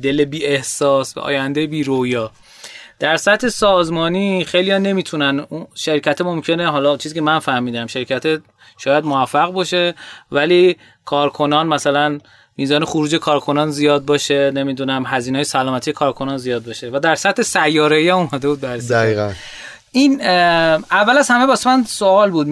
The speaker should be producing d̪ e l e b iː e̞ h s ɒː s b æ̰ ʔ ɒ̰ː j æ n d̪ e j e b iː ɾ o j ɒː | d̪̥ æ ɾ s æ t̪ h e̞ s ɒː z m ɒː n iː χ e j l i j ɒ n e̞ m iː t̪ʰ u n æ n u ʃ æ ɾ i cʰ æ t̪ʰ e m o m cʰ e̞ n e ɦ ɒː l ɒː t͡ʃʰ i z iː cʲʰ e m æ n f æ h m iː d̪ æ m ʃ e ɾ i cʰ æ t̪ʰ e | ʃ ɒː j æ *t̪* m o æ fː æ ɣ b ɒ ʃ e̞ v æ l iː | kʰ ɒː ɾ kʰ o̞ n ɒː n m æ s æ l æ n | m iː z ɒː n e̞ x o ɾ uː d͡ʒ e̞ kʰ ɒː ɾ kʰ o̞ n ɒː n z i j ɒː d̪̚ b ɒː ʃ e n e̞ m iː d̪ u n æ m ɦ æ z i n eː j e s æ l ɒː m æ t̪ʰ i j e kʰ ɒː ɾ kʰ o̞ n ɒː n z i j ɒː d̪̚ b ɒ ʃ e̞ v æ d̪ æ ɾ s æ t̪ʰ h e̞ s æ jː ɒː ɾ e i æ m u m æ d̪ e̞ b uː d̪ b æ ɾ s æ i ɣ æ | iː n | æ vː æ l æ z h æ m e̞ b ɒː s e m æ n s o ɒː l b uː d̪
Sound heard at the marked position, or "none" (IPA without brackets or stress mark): d̪